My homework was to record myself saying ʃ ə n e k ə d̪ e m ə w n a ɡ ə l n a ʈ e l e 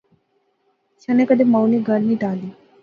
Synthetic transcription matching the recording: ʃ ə n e k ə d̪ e m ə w n i ɡ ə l n i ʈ a l i